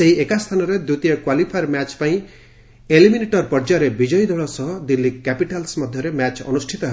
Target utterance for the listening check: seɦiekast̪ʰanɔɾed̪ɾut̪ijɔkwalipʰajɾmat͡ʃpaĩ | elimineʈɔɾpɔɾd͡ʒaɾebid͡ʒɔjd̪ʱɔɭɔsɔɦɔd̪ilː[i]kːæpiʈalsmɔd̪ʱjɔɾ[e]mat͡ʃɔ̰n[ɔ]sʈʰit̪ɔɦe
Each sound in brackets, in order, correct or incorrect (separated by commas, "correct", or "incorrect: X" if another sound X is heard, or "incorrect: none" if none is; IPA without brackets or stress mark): correct, correct, incorrect: u